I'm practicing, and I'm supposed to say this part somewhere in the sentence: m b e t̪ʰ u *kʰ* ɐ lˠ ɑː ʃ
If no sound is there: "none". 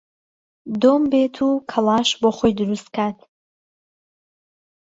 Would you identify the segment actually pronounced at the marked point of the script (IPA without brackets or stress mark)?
kʰ